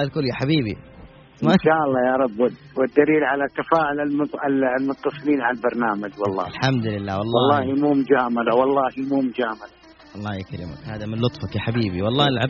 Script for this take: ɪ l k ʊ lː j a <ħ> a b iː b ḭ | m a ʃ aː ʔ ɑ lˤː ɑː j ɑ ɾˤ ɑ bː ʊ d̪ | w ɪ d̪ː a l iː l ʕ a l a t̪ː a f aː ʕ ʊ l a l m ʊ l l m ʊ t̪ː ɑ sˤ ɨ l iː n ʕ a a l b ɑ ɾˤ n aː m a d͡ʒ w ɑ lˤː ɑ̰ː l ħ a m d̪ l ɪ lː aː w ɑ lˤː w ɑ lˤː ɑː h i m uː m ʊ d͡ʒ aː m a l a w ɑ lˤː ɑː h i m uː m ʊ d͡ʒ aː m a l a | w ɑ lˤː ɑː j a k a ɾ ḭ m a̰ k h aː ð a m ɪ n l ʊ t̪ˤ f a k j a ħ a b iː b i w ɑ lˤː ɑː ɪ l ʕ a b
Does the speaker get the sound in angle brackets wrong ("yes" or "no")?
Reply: no